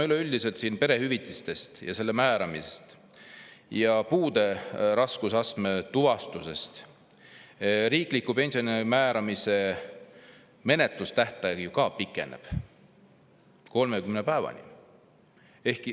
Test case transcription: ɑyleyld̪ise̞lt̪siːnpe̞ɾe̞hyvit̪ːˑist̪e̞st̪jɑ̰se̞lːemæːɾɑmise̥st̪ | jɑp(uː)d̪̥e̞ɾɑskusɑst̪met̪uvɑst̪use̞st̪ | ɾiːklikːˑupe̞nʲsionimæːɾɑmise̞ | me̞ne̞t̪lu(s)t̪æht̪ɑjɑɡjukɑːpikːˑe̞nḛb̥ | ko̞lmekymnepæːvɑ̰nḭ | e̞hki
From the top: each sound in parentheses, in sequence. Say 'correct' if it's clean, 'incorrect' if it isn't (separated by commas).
correct, correct